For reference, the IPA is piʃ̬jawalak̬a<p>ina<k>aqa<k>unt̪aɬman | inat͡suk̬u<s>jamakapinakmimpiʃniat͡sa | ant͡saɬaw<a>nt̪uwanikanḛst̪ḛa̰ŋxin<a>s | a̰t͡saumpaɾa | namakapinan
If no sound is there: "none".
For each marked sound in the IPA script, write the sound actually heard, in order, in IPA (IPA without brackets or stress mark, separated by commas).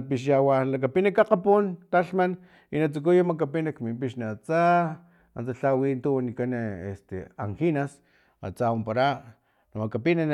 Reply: p, k, p, none, i, a